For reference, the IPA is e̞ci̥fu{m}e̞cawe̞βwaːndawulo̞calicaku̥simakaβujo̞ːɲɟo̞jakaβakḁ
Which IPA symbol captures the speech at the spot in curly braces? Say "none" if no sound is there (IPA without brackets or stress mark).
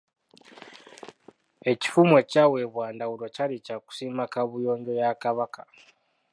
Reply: m